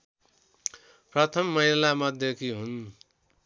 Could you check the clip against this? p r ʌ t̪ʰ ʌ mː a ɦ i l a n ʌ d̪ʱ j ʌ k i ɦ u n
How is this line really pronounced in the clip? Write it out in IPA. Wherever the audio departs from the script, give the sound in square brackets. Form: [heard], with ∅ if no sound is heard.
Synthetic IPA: p r ʌ t̪ʰ ʌ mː [ʌ] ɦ i l a [m] ʌ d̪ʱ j ʌ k i ɦ u n